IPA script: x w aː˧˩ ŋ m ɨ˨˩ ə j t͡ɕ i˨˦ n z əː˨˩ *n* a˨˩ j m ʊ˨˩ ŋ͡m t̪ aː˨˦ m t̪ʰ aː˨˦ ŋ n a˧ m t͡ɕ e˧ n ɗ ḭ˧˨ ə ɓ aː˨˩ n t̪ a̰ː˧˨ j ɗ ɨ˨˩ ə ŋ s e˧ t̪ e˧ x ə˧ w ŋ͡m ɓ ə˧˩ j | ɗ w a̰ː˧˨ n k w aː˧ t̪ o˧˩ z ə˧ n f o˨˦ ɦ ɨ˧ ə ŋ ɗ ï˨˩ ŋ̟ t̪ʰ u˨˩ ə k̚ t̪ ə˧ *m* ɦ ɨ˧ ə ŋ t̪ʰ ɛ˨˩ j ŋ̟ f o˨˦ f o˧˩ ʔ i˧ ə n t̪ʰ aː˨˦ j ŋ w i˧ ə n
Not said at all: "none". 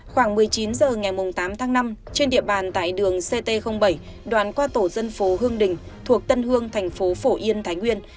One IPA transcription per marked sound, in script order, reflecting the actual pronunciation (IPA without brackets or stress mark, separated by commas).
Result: ŋ, n